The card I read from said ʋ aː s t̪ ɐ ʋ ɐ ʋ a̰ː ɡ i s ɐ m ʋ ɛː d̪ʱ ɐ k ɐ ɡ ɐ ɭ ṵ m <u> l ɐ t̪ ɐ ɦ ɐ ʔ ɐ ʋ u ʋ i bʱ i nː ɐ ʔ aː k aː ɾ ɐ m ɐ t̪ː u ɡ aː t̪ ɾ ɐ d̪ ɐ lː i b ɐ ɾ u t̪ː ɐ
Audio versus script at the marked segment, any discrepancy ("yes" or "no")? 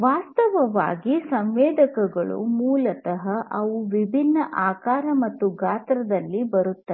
yes